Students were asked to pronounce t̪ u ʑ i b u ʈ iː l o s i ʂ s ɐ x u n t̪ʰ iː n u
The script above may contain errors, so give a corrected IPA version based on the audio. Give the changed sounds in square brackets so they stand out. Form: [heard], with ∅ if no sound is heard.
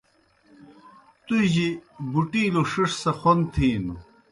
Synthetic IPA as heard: t̪ u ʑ i b u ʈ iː l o [ʂ] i ʂ s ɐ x [o] n t̪ʰ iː n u